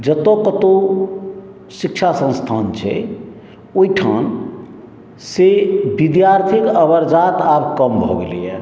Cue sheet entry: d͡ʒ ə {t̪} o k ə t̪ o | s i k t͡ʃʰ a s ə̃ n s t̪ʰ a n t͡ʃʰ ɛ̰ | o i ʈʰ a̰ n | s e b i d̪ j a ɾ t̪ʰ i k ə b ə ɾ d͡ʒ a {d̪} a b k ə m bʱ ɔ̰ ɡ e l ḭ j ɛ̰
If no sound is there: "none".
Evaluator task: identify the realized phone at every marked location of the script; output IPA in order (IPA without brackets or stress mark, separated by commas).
t̪, t̪